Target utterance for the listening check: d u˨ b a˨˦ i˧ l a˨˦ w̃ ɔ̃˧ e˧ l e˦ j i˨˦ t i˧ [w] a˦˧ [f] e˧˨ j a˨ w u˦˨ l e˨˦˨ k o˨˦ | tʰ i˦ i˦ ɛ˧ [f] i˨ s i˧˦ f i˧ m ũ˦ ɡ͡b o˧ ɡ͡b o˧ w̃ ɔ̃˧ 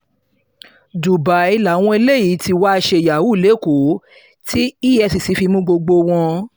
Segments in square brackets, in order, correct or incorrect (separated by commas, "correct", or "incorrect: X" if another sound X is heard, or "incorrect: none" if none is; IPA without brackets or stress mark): correct, incorrect: ʃ, incorrect: s